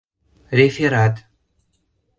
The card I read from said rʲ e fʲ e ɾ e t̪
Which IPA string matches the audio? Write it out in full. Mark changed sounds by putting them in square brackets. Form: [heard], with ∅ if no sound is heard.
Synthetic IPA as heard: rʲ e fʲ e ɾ [a] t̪